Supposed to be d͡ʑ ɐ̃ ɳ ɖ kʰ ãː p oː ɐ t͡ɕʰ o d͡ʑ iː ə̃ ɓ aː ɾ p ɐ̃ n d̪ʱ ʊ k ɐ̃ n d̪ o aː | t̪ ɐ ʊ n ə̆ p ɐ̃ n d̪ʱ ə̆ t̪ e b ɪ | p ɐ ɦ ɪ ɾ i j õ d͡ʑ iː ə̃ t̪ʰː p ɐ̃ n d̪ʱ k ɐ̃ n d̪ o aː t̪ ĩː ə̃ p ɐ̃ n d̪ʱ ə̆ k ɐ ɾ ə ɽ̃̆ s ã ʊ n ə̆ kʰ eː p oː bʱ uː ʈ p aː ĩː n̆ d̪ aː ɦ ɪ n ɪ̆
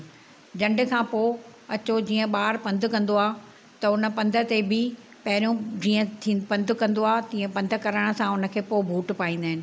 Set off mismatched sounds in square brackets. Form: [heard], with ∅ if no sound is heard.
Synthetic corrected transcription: d͡ʑ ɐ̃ ɳ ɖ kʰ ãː p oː ɐ [t͡ɕ] o d͡ʑ iː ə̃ ɓ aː ɾ p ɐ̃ n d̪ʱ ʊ k ɐ̃ n d̪ o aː | t̪ ɐ ʊ n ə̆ p ɐ̃ n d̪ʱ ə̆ t̪ e b ɪ | p ɐ ɦ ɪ ɾ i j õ d͡ʑ iː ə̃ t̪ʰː p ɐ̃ n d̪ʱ k ɐ̃ n d̪ o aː t̪ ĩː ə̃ p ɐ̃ n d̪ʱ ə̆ k ɐ ɾ ə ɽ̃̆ s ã ʊ n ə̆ kʰ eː p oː bʱ uː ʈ p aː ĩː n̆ d̪ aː ɦ ɪ n ɪ̆